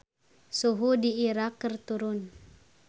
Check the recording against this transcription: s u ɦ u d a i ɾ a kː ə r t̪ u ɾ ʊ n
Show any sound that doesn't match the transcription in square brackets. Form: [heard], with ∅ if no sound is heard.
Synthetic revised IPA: s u ɦ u d [i] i ɾ a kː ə r t̪ u ɾ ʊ n